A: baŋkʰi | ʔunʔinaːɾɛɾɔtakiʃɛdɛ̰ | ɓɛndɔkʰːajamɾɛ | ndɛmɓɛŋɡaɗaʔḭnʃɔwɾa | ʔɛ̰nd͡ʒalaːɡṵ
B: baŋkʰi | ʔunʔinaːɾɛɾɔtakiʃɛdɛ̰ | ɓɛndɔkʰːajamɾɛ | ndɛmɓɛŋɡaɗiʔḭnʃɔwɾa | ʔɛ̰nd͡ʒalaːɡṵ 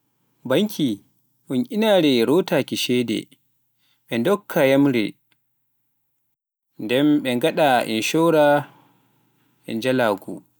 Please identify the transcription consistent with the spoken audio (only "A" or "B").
A